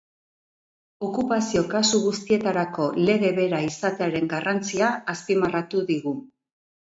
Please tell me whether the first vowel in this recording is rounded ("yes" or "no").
yes